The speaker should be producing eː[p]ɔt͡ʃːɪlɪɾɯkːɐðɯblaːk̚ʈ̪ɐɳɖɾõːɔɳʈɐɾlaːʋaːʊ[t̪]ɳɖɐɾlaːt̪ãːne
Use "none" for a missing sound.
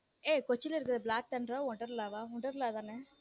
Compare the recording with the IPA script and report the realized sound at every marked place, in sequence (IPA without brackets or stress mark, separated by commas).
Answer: k, none